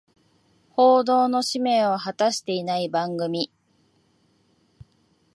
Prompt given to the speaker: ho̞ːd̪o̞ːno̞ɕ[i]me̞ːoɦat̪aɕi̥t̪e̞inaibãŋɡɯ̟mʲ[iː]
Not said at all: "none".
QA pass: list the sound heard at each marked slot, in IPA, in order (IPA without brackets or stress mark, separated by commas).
i, i